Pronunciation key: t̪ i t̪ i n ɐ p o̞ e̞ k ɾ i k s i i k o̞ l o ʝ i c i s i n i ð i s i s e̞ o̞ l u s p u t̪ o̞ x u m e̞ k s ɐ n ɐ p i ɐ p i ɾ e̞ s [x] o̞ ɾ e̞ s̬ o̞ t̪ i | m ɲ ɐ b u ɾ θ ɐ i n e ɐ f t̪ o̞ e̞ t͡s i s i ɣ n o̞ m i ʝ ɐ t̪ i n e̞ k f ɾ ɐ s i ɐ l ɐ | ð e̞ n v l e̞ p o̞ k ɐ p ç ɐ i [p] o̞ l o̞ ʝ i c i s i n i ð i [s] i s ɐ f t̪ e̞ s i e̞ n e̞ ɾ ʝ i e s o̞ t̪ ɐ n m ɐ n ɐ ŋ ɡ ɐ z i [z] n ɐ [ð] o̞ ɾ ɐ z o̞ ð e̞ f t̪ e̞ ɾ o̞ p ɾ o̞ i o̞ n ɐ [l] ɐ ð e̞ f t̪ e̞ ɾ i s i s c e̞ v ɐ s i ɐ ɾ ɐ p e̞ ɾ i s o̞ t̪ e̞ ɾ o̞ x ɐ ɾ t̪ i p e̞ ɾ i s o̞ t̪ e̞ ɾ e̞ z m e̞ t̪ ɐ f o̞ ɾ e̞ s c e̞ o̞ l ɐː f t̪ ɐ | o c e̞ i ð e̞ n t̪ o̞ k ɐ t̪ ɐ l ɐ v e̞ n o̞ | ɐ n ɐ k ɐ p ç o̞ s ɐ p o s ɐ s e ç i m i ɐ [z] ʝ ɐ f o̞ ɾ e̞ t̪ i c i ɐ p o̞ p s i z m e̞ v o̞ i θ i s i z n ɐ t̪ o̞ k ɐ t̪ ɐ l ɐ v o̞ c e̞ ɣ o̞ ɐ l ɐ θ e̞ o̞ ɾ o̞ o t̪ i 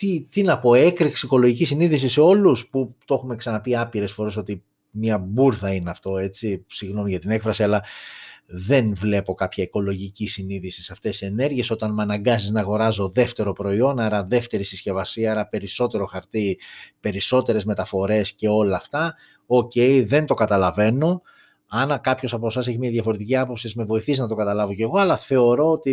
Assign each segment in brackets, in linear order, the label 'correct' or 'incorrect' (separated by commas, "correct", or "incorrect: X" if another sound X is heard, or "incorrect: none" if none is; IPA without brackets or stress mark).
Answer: incorrect: f, incorrect: k, correct, correct, incorrect: ɣ, incorrect: ɾ, incorrect: ð